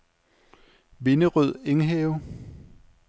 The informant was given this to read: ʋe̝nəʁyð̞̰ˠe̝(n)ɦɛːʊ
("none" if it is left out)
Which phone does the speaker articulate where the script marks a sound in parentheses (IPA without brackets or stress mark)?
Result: ŋ